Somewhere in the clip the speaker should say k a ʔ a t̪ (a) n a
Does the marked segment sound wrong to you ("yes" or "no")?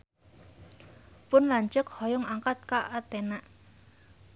yes